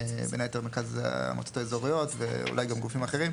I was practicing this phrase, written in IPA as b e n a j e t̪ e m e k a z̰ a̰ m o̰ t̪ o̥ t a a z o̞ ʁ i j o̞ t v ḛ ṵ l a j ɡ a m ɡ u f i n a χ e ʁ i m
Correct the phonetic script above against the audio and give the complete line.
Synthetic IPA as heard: b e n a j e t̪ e m e k a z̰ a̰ m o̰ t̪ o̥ t a e z o̞ ʁ i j o̞ t v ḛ ṵ l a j ɡ a m ɡ u f i m a χ e ʁ i m